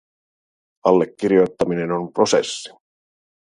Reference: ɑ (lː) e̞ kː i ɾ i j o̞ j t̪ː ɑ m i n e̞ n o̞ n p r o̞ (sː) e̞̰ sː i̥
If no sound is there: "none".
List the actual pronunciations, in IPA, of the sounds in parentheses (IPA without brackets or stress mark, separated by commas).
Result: lː, s